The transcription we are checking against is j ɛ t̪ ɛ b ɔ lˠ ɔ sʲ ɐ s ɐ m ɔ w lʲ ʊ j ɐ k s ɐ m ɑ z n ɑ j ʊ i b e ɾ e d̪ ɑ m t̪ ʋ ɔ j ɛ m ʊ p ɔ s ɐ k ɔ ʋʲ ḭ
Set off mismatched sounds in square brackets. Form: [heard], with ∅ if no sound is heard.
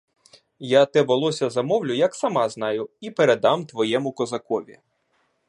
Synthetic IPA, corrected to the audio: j [a] t̪ ɛ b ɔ lˠ ɔ sʲ ɐ [z] ɐ m ɔ w lʲ ʊ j ɐ k s ɐ m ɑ z n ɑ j ʊ i [p] e ɾ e d̪ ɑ m t̪ ʋ ɔ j ɛ m ʊ [k] ɔ [z] ɐ k ɔ ʋʲ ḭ